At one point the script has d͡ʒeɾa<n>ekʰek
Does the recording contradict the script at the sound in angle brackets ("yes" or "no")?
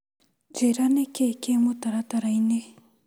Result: no